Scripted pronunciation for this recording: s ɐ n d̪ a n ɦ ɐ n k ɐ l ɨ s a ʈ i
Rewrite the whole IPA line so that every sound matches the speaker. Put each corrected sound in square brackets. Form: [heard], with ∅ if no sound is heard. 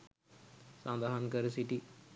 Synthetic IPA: s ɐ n d̪ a [∅] ɦ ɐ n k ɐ [ɾ] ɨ s [i] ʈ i